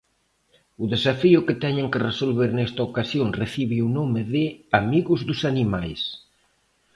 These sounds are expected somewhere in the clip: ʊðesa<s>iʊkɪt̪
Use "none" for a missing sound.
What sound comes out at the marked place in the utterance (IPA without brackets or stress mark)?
f